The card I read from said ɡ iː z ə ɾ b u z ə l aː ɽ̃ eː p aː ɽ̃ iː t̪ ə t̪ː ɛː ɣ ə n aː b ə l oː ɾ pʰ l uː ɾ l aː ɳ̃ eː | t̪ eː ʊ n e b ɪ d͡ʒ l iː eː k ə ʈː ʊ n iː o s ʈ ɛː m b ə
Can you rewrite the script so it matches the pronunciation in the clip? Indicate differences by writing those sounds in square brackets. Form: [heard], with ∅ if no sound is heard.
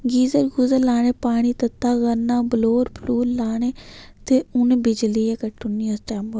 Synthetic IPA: ɡ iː z ə ɾ [ɡ] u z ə l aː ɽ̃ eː p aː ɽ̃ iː t̪ ə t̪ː [aː] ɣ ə n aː b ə l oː ɾ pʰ l uː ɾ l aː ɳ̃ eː | t̪ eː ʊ n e b ɪ d͡ʒ l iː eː k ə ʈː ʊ n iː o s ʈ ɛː m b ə